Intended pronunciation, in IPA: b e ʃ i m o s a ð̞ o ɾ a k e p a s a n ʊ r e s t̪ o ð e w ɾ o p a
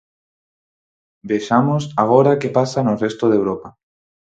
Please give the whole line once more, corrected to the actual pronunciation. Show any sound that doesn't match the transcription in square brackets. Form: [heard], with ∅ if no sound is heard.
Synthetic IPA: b e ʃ [a] m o s a [ɣ̞] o ɾ a k e p a s a n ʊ r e s t̪ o ð e w ɾ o p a